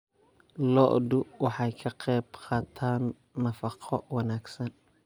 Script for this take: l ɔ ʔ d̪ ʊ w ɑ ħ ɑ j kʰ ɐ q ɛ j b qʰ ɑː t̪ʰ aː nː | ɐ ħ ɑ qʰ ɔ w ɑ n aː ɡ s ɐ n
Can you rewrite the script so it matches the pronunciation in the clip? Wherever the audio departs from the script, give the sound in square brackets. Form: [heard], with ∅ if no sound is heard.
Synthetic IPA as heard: l ɔ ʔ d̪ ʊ w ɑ ħ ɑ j kʰ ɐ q ɛ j b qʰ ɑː t̪ʰ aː nː | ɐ [f] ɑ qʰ ɔ w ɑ n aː ɡ s ɐ n